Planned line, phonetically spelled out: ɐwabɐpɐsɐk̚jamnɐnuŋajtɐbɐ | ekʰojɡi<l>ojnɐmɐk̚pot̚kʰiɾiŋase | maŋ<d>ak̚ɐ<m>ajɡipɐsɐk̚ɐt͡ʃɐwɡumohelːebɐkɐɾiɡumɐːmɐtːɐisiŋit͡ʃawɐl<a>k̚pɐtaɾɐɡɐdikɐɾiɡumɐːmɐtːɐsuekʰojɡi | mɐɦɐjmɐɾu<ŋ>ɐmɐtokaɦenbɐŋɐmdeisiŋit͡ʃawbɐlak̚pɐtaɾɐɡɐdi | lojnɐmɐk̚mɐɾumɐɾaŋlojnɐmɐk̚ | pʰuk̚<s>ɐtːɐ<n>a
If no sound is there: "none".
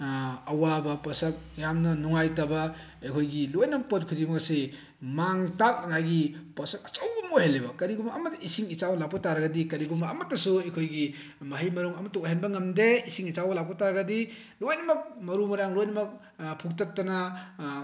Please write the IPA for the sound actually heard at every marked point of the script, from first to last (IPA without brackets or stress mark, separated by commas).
l, t, ŋ, a, ŋ, t, n